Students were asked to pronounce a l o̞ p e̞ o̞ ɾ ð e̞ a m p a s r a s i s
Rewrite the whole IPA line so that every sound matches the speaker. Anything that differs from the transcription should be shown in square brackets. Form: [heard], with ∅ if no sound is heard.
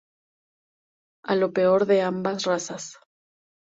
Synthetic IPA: a l o̞ p e̞ o̞ ɾ ð e̞ a m [b] a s r a s [a] s